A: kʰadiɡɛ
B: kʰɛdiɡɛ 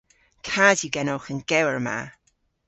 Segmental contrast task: A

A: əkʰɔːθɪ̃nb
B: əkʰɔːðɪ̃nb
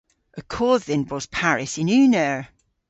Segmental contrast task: B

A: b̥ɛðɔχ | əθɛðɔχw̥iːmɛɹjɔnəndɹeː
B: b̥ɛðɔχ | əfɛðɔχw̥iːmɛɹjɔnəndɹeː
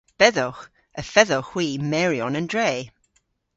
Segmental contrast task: B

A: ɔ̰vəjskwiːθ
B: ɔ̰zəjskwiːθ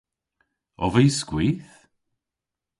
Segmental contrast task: A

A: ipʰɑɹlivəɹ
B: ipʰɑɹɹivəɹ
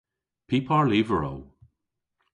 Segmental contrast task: A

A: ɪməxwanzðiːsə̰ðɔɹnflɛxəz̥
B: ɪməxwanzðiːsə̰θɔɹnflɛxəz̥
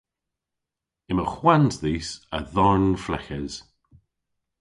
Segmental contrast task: A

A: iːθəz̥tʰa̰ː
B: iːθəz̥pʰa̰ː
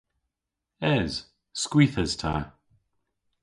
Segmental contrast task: A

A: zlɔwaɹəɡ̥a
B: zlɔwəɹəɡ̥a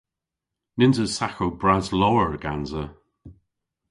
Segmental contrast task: B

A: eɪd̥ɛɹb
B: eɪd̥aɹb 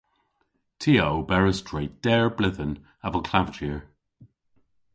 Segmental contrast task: A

